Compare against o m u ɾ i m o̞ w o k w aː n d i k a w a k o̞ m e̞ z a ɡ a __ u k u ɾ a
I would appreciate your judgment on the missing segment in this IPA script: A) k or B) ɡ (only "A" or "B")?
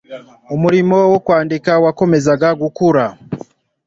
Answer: B